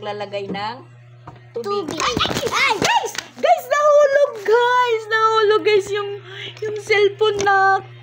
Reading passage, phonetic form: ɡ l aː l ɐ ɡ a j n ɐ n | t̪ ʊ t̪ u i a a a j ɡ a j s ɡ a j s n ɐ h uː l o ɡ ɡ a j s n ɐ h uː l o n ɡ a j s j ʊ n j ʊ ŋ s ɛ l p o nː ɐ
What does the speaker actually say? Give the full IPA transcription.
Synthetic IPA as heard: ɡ l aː l ɐ ɡ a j n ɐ ŋ | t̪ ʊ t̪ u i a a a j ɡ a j s ɡ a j s n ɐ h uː l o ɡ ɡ a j s n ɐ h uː l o ɡ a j s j ʊ ŋ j ʊ ŋ s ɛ l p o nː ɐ